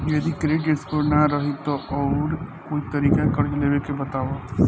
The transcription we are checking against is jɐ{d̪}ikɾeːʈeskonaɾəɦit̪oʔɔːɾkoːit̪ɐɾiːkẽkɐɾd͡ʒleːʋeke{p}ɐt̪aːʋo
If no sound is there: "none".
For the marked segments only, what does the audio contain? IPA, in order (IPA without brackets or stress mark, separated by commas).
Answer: d̪, b